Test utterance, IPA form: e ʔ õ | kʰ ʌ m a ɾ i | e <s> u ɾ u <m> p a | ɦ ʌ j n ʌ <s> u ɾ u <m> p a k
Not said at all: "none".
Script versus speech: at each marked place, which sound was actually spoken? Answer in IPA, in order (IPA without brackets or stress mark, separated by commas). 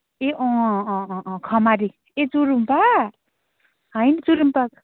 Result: t͡s, m, t͡s, m